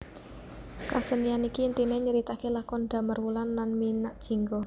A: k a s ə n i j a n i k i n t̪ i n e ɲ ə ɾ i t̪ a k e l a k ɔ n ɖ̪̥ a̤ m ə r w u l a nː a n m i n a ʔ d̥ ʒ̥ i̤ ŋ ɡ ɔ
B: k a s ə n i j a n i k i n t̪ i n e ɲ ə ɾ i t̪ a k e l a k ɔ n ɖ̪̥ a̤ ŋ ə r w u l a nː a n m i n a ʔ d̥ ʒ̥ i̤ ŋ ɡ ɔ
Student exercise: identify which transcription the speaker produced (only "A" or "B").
A